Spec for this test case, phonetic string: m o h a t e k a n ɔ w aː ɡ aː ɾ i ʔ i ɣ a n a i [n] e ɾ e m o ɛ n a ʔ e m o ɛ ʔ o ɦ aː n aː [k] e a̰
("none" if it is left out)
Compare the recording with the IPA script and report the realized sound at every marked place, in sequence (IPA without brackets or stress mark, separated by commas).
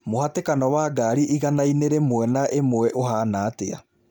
n, t